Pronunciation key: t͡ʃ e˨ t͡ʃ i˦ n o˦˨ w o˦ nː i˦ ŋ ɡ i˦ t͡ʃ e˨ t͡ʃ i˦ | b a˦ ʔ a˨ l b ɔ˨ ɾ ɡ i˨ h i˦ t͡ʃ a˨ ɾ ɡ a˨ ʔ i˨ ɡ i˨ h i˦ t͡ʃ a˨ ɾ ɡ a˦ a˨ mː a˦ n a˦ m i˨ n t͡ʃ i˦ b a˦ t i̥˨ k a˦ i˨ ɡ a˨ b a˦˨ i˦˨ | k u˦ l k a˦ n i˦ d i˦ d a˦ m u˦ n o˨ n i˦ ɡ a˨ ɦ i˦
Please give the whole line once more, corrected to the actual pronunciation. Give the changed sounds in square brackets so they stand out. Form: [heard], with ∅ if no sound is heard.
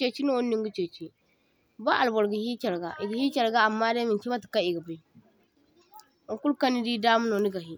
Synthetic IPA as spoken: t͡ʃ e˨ t͡ʃ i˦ n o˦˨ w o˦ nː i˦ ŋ ɡ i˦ t͡ʃ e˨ t͡ʃ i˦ | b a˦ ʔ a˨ l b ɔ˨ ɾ ɡ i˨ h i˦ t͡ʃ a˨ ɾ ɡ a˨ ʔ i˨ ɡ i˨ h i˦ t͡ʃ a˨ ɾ ɡ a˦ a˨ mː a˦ [d] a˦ m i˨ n t͡ʃ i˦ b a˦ t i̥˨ k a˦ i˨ ɡ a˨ b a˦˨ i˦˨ | k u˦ l k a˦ n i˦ d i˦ d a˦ m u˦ n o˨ n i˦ ɡ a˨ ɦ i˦